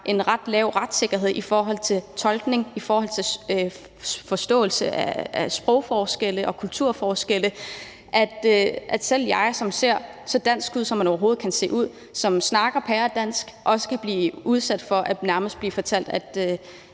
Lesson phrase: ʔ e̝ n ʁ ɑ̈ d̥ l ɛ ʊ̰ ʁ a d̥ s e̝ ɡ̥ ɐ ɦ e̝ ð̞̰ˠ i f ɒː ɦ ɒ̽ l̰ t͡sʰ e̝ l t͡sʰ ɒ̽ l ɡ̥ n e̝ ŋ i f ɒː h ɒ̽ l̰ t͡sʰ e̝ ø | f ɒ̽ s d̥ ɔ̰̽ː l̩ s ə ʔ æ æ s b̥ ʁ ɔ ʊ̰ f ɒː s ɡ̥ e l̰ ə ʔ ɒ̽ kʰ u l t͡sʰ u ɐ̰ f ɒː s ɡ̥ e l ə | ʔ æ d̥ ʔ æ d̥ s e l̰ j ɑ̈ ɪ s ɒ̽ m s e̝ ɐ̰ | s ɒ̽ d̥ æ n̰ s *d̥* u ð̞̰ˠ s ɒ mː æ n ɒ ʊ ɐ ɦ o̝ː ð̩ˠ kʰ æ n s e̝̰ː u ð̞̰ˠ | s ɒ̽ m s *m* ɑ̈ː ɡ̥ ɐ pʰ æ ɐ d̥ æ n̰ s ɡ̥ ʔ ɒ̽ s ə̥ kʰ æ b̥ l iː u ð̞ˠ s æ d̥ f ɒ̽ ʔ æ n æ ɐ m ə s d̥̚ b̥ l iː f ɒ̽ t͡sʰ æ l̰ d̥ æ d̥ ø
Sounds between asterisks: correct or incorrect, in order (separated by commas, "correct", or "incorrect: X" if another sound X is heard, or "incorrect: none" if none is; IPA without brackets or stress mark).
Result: incorrect: ɡ̥, incorrect: n